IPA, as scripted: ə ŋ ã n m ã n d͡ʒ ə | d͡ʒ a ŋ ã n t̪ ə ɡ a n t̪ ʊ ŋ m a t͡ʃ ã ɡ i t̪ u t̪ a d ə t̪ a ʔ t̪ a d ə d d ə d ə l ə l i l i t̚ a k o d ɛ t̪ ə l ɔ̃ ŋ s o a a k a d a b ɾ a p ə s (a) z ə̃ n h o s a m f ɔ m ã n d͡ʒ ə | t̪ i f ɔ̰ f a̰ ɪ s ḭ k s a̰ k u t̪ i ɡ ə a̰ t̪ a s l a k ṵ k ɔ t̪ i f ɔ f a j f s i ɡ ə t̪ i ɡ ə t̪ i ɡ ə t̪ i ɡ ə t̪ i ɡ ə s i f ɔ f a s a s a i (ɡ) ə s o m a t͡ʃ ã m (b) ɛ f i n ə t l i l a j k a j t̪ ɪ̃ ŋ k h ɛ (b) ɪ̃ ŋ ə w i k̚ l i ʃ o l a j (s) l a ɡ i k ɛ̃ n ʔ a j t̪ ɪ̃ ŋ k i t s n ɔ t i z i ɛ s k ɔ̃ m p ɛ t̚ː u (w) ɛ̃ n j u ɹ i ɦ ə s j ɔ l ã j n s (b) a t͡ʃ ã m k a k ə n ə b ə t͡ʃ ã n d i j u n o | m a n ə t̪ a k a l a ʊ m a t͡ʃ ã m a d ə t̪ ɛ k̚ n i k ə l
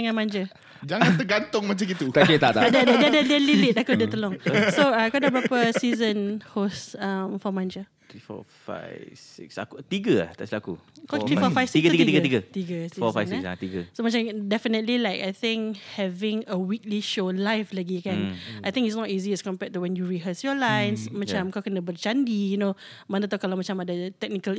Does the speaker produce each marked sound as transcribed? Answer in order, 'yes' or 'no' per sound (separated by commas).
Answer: no, yes, no, no, no, yes, no